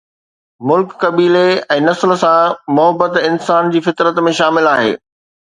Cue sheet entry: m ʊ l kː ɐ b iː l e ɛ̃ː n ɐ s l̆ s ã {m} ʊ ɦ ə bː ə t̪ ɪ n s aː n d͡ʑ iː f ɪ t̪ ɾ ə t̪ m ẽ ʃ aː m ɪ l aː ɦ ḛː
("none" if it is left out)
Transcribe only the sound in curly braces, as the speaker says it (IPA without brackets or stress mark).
m